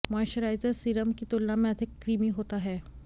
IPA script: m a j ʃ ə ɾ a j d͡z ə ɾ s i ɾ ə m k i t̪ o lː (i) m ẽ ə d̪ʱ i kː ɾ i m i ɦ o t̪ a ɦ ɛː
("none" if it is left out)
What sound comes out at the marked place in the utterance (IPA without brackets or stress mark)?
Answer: a